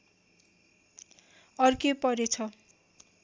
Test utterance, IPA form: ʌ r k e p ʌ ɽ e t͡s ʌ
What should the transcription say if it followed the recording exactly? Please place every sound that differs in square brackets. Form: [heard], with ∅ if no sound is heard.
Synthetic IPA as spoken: ʌ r k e p ʌ [ɾ] e [t͡sʰ] ʌ

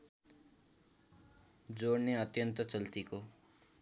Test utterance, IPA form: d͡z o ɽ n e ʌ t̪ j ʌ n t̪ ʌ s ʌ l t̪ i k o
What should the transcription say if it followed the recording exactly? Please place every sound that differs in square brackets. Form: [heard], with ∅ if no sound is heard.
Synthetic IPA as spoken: d͡z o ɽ n e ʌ t̪ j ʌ n t̪ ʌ [t͡s] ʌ l t̪ i k o

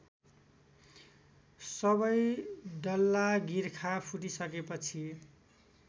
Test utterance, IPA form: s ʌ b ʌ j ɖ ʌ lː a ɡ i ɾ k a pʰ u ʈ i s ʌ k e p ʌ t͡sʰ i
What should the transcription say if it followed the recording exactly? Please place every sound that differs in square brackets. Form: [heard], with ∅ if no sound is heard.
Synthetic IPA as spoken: s ʌ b ʌ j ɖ ʌ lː a ɡ i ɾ [kʰ] a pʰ u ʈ i s ʌ k e p ʌ t͡sʰ i

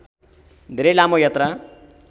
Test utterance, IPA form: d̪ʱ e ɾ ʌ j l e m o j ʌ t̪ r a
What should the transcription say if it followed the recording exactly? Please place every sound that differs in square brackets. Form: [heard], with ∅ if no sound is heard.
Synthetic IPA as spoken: d̪ʱ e ɾ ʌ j l [a] m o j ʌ t̪ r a

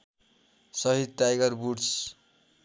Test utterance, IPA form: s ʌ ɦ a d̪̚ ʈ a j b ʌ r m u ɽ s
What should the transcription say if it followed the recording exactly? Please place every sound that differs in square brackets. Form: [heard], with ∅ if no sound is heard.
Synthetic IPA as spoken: s ʌ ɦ [i] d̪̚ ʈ a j [ɡ] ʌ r [b] u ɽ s

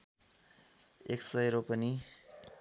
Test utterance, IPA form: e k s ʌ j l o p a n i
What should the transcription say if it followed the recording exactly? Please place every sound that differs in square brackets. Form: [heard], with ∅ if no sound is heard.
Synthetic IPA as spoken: e k s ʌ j [ɾ] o p [ʌ] n i

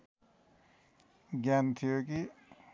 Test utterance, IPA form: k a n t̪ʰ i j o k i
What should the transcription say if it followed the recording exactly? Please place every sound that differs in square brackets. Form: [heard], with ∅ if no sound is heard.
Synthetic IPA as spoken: [ɡ] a n t̪ʰ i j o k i

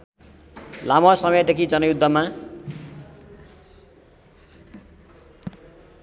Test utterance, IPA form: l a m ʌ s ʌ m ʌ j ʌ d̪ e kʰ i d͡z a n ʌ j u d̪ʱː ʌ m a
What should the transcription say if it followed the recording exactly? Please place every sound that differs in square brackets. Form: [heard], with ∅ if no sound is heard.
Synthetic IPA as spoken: l a m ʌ s ʌ m ʌ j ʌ d̪ e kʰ i d͡z [ʌ] n ʌ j u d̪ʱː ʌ m a

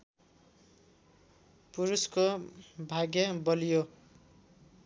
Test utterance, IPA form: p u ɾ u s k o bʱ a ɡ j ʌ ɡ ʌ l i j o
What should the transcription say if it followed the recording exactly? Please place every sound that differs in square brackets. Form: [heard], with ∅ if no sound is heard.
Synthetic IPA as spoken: p u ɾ u s k o bʱ a ɡ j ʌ [b] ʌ l i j o

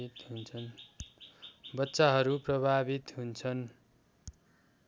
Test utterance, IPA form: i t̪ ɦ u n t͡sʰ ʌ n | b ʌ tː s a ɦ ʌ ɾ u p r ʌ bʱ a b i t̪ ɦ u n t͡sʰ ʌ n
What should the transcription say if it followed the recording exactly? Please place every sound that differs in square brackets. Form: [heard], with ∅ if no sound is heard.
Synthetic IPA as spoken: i t̪ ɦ u n t͡sʰ ʌ n | b ʌ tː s a ɦ ʌ ɾ u p r ʌ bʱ a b i t̪ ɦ u n t͡sʰ ʌ n

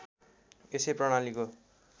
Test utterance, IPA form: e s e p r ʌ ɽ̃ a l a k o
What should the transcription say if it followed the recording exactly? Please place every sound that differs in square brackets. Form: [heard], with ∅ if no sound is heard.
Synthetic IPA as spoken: e s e p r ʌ ɽ̃ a l [i] k o

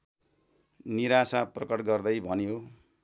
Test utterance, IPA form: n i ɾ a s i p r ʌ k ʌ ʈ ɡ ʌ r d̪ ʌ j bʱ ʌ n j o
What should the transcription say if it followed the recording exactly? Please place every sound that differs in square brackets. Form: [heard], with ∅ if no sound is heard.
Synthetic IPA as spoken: n i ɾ a s [a] p r ʌ k ʌ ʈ ɡ ʌ r d̪ ʌ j bʱ ʌ n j o

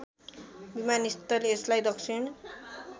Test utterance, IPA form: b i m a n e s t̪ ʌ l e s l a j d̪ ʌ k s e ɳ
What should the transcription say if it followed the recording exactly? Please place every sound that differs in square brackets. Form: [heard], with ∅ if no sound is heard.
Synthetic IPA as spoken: b i m a n [i] s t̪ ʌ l e s l a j d̪ ʌ k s [i] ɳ

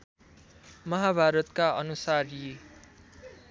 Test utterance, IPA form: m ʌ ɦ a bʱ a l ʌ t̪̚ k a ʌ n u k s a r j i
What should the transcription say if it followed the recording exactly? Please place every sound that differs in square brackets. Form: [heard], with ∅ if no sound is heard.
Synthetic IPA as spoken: m ʌ ɦ a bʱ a [ɾ] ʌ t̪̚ k a ʌ n u [∅] s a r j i

